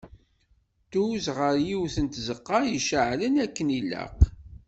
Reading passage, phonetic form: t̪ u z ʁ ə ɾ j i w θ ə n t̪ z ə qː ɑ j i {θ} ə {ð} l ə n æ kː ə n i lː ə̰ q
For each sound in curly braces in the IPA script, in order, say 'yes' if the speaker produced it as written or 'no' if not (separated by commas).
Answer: no, no